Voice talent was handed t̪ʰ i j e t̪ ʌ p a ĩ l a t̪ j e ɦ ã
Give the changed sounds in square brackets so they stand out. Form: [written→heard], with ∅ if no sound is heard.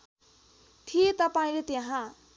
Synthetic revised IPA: t̪ʰ i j e t̪ ʌ p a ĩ l [a→e] t̪ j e ɦ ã